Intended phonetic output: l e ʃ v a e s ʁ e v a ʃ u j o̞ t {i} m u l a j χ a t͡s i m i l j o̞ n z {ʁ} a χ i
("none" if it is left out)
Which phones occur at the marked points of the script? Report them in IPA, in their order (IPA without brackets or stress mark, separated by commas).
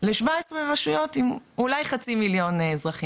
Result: i, ʁ